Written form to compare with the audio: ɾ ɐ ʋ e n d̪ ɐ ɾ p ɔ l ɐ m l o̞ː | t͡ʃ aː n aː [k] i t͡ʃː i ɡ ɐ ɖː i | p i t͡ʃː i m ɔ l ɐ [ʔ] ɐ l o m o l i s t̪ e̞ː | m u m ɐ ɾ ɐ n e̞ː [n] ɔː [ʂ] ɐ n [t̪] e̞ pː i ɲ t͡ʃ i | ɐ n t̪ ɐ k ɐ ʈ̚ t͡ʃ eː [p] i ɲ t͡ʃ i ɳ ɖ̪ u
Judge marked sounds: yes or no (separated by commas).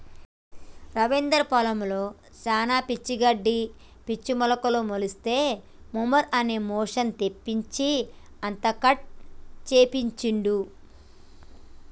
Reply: no, no, no, yes, yes, yes